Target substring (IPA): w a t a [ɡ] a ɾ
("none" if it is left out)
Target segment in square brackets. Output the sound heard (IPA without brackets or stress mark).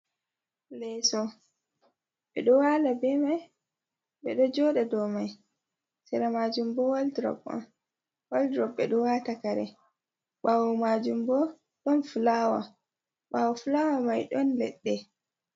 k